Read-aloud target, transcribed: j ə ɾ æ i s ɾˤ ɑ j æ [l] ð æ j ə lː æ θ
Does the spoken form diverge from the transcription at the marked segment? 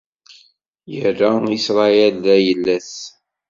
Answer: no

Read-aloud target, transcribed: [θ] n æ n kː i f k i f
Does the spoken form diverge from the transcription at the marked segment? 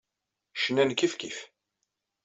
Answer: yes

